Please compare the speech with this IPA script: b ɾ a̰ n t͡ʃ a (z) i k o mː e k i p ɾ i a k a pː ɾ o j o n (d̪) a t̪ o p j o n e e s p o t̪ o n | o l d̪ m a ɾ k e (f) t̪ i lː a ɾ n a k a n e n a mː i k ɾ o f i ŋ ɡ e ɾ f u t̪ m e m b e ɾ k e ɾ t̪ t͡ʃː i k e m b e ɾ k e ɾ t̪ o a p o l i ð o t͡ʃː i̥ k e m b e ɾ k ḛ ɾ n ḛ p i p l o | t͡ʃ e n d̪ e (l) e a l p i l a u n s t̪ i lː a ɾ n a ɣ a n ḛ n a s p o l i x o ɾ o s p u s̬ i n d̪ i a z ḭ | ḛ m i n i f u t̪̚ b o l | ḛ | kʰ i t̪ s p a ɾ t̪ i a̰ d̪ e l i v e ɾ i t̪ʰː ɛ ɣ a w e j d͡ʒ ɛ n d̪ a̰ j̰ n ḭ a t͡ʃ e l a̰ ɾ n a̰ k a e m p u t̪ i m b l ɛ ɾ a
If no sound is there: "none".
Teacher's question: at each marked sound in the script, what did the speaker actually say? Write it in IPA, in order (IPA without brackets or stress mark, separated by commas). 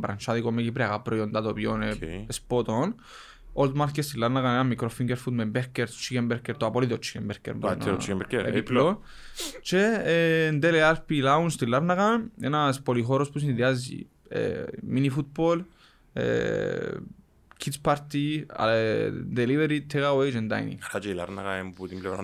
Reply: ð, d̪, s, l